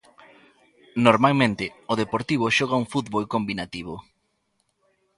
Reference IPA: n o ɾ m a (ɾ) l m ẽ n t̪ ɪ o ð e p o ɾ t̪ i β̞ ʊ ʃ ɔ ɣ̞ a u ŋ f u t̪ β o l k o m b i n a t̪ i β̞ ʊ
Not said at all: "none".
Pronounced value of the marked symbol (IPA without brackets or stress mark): none